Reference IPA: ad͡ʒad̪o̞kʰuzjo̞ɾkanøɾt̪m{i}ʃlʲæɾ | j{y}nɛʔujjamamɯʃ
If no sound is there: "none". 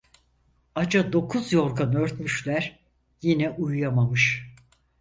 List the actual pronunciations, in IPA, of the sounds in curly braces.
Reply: y, i

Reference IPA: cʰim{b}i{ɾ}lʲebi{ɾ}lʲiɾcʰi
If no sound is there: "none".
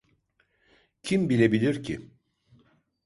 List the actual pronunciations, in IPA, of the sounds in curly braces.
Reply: b, none, none

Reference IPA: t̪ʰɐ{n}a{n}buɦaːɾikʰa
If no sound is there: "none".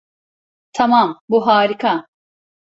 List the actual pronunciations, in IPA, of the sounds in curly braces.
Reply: m, m

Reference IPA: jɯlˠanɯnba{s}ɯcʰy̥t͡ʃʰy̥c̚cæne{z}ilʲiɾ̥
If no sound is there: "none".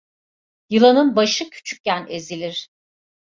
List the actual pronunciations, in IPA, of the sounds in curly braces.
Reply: ʃ, z

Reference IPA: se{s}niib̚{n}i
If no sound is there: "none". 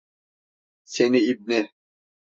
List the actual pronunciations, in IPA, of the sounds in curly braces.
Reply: none, n

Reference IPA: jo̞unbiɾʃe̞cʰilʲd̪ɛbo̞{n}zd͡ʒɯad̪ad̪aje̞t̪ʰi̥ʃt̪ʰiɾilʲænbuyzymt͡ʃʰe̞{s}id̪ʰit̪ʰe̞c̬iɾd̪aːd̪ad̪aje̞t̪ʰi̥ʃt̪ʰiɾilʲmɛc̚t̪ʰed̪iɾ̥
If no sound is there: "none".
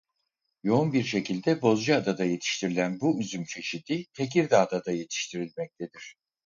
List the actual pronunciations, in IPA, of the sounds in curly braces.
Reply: none, ʃ

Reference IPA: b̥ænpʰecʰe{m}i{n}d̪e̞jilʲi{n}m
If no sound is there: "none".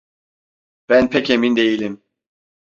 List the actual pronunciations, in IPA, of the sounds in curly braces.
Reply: m, n, none

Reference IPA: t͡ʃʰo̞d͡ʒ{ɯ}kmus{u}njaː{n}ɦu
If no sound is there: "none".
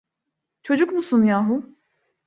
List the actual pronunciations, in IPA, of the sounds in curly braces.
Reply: u, u, none

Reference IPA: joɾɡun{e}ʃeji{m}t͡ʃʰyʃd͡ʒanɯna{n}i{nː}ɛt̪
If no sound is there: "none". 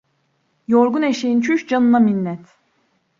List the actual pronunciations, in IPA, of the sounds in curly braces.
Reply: e, n, m, nː

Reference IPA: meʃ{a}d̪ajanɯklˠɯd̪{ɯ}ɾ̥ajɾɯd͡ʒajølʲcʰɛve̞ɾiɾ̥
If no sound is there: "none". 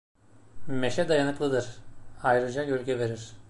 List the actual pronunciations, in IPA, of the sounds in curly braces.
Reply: ɛ, ɯ

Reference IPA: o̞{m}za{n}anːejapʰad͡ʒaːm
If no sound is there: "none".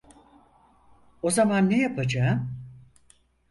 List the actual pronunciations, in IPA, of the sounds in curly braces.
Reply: none, m

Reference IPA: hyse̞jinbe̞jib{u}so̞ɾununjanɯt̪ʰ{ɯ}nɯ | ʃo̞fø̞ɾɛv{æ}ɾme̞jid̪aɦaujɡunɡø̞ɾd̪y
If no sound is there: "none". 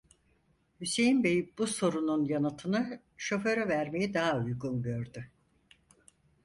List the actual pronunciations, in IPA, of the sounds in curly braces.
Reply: u, ɯ, æ

